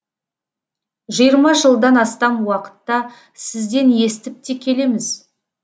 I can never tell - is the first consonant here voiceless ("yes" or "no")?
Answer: no